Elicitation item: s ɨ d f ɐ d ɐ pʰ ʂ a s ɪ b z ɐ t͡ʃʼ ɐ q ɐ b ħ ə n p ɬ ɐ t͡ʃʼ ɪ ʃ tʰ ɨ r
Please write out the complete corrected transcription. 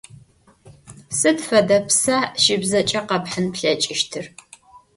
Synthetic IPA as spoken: s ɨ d f ɐ d ɐ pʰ s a ʃ ɪ b z ɐ t͡ʃʼ ɐ q ɐ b ħ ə n p ɬ ɐ t͡ʃʼ ɪ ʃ tʰ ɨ r